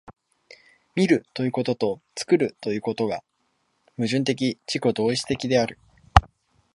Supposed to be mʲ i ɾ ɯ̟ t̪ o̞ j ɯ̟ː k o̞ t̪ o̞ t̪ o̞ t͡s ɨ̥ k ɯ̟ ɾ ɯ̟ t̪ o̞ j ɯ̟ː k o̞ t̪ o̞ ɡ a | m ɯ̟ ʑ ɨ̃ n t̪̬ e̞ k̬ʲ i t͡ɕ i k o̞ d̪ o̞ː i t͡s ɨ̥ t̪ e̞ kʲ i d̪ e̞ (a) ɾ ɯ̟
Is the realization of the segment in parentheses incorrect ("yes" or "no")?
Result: no